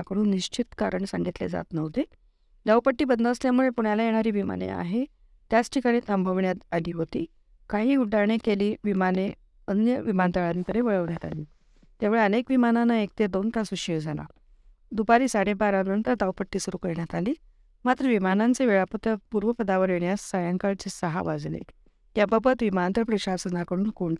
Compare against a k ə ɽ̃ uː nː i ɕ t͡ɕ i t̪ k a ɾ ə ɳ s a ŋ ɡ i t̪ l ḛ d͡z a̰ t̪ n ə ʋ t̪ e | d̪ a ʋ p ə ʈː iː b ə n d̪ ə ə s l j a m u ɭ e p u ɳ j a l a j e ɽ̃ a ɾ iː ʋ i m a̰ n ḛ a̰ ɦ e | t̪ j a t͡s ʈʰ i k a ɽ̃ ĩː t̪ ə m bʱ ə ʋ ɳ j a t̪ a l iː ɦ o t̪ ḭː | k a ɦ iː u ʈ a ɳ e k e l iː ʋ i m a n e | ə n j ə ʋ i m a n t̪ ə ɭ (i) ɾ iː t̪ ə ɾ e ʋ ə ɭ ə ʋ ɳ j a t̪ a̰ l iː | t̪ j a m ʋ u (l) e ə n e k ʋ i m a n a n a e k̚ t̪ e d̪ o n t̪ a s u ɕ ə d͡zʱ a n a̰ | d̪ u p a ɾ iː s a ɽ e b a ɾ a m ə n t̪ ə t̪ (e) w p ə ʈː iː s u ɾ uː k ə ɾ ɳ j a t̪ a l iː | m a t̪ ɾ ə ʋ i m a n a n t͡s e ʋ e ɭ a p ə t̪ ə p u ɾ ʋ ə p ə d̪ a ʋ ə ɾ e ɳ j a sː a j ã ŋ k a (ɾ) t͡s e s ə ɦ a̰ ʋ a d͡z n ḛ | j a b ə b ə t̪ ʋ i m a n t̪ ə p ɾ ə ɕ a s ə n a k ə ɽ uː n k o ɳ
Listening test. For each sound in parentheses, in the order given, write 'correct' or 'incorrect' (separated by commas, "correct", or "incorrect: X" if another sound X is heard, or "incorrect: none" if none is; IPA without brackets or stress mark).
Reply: incorrect: a, incorrect: ɭ, incorrect: a, incorrect: ɭ